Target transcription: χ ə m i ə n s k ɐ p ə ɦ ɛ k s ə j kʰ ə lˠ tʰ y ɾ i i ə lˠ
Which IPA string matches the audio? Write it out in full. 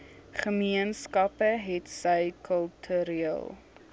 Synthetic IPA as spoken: χ ə m i ə n s k ɐ p ə ɦ ɛ t s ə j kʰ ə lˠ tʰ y ɾ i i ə lˠ